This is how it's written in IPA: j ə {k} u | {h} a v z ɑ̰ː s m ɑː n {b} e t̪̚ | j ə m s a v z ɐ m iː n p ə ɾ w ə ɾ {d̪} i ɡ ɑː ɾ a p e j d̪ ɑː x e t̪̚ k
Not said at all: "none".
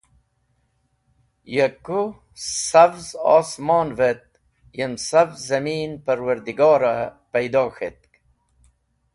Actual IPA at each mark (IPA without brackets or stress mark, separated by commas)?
k, s, v, d̪